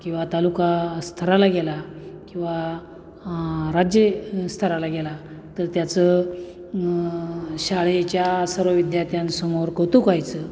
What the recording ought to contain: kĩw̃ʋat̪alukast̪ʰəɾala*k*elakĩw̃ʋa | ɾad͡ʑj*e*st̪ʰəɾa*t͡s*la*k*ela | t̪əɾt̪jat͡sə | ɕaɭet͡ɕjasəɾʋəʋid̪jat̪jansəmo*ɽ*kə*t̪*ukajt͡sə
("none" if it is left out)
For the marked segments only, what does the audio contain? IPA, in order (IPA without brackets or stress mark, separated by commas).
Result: ɡ, e, none, ɡ, ɾ, t̪